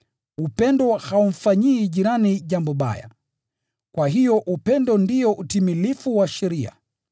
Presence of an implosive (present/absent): present